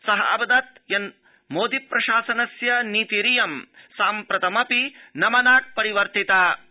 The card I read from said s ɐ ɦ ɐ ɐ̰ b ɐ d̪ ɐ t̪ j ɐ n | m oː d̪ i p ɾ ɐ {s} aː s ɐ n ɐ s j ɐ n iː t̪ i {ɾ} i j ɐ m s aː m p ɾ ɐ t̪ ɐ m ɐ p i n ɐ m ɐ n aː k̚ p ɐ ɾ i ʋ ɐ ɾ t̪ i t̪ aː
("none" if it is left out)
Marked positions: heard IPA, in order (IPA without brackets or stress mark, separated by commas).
ʃ, ɾ